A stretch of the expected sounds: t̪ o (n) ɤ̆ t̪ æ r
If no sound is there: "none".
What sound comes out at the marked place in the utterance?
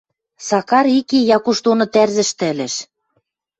n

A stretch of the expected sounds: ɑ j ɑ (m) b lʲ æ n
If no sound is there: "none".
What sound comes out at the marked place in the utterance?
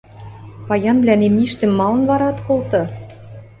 n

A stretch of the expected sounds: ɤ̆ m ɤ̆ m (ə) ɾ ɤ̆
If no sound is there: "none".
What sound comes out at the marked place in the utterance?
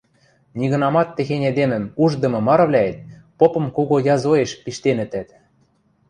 ɑ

